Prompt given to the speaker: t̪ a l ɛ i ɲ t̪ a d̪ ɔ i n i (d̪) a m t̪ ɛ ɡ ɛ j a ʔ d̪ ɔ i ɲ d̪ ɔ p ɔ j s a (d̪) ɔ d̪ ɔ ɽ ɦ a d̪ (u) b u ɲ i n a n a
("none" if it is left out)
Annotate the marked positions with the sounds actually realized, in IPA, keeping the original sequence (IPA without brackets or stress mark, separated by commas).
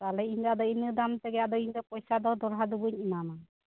d̪, d̪, u